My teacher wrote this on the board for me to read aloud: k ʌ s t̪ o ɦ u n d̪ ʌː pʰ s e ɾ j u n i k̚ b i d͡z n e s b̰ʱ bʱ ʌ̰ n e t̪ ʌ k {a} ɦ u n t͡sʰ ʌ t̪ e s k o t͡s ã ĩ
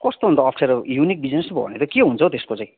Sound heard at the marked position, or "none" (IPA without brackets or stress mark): e